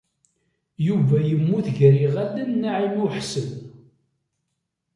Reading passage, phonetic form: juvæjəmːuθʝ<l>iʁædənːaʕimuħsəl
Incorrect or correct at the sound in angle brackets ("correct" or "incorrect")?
incorrect